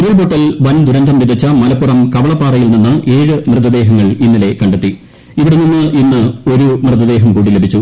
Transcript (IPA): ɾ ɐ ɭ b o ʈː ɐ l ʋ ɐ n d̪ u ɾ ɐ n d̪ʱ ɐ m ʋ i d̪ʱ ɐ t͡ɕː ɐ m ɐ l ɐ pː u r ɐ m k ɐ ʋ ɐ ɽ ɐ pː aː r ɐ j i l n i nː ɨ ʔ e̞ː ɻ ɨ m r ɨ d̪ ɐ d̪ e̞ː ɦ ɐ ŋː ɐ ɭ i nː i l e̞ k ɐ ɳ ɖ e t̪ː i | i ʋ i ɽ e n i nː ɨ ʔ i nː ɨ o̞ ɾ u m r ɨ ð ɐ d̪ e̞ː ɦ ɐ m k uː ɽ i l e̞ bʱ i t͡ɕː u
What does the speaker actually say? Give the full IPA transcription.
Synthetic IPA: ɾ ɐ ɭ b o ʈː ɐ l ʋ ɐ n d̪ u ɾ ɐ n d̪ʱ ɐ m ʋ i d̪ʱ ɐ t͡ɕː ɐ m ɐ l ɐ pː u r ɐ m k ɐ ʋ ɐ ɭ ɐ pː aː r ɐ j i l n i nː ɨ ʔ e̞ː ɻ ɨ m r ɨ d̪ ɐ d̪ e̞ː ɦ ɐ ŋː ɐ ɭ i nː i l e̞ k ɐ ɳ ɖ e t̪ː i | i ʋ i ɽ e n i nː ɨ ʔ i nː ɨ o̞ ɾ u m r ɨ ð ɐ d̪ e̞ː ɦ ɐ m k uː ɽ i l e̞ bʱ i t͡ɕː u

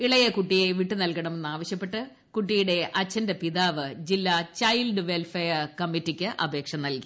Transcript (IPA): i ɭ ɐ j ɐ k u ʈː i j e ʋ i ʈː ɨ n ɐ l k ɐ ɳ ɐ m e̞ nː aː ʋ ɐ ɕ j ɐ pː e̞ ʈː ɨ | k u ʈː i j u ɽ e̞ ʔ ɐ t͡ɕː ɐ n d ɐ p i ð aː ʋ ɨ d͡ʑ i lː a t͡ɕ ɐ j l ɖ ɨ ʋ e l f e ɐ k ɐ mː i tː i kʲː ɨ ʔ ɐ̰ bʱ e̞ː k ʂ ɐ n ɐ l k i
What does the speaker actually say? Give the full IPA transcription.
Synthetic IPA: i ɭ ɐ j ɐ k u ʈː i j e ʋ i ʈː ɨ n ɐ l k ɐ ɳ ɐ m e̞ nː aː ʋ ɐ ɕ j ɐ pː e̞ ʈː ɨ | k u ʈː i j u ɽ e̞ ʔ ɐ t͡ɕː ɐ n d ɐ p i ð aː ʋ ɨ d͡ʑ i lː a t͡ɕ ɐ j l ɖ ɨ ʋ e l f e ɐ k ɐ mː i tː i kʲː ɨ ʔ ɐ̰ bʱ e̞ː k ʂ ɐ n ɐ l k i

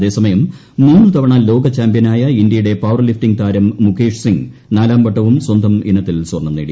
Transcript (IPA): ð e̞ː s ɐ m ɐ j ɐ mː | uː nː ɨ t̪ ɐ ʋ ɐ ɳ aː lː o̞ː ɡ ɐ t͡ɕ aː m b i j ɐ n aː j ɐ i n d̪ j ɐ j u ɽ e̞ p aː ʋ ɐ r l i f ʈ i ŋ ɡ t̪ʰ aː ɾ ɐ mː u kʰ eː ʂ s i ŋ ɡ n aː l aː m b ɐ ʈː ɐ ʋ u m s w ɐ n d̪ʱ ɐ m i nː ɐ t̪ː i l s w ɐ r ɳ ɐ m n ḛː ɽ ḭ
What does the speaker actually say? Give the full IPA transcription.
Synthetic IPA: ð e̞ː s ɐ m ɐ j ɐ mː | uː nː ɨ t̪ ɐ ʋ ɐ ɳ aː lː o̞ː ɡ ɐ t͡ɕ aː m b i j ɐ n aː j ɐ i n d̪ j ɐ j u ɽ e̞ p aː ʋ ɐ r l i f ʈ i ŋ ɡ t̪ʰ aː ɾ ɐ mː u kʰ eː ʂ s i ŋ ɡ n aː l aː m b ɐ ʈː ɐ ʋ u m s w ɐ n d̪ʱ ɐ m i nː ɐ t̪ː i l s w ɐ r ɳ ɐ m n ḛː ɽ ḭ

